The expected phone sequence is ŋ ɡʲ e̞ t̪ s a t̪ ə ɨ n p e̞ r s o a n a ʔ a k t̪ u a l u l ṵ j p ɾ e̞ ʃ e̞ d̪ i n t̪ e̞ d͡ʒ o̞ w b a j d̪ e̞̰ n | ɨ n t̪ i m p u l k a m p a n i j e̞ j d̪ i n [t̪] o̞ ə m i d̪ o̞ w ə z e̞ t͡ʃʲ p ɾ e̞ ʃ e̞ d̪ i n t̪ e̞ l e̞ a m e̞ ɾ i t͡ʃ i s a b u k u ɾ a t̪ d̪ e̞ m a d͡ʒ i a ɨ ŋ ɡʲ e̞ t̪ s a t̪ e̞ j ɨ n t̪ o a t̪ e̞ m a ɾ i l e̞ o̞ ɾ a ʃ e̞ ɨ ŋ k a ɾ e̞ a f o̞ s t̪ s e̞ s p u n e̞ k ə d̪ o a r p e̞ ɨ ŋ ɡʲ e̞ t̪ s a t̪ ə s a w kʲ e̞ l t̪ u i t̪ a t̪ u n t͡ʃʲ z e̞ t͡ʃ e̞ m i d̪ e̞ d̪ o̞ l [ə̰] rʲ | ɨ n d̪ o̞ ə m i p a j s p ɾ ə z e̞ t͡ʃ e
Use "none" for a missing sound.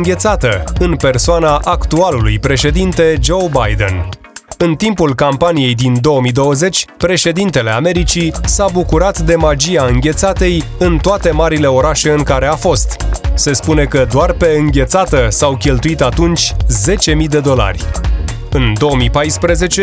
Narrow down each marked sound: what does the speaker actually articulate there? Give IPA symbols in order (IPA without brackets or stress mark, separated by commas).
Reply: d̪, a̰